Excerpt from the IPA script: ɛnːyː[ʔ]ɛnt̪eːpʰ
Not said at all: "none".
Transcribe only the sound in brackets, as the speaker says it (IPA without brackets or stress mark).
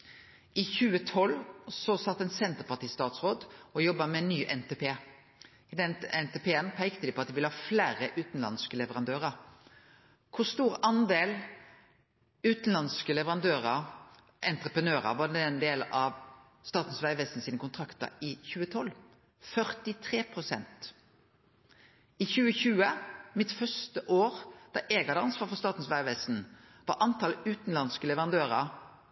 ʔ